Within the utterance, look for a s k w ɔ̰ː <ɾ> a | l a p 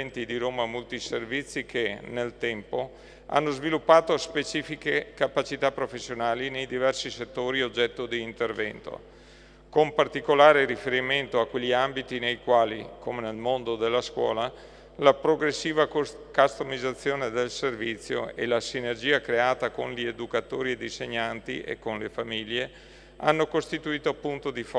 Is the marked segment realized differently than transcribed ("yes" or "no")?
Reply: yes